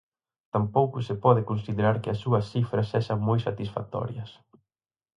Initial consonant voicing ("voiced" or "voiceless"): voiceless